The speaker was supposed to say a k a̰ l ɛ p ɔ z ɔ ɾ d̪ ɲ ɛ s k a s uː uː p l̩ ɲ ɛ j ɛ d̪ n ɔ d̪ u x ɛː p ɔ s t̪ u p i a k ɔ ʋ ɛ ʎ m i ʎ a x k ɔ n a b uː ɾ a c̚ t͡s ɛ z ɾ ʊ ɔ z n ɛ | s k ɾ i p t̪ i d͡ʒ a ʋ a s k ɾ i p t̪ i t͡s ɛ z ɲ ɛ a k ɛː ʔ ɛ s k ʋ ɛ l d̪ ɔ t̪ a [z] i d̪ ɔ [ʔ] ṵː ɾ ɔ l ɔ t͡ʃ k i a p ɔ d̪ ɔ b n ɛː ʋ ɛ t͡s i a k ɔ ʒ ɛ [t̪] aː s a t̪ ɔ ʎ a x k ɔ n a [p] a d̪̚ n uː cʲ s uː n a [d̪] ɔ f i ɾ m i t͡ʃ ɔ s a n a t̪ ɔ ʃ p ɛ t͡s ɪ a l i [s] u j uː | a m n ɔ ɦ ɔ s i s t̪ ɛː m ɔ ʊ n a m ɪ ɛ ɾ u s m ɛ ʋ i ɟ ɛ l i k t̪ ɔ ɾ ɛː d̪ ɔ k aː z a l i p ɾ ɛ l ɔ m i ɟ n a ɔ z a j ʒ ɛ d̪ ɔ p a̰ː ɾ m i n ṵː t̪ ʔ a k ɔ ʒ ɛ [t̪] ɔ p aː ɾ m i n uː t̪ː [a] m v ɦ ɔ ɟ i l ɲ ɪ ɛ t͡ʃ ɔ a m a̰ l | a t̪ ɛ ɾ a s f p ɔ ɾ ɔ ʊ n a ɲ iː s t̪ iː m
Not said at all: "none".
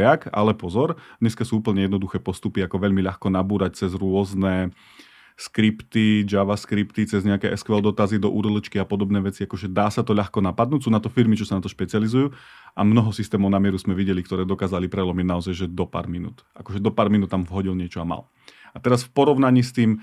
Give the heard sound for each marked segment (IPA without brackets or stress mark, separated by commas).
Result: z, ʔ, d̪, p, t̪, z, d̪, a